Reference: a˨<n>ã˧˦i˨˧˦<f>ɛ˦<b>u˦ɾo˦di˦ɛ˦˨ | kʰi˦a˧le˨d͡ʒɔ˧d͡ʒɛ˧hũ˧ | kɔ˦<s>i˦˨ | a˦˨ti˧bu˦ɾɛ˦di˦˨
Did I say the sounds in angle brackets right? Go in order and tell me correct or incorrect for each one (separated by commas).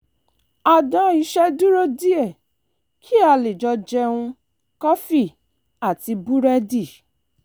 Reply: incorrect, incorrect, incorrect, incorrect